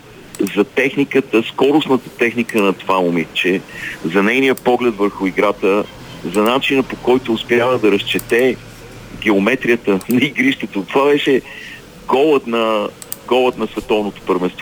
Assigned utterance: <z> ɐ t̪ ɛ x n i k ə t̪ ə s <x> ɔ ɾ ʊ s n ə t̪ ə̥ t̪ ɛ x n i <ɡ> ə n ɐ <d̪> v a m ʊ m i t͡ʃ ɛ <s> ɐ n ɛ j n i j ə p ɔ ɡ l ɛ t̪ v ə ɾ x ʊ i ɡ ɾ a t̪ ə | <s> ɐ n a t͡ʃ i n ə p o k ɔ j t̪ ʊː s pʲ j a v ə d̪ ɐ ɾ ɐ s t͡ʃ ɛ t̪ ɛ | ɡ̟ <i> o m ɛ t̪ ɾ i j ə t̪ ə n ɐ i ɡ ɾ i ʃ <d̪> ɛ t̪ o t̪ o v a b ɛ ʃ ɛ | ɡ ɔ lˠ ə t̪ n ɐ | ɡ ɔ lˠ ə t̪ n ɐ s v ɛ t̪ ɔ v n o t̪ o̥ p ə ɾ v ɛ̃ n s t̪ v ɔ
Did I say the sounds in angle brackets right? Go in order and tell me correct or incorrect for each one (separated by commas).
correct, incorrect, incorrect, incorrect, incorrect, incorrect, incorrect, incorrect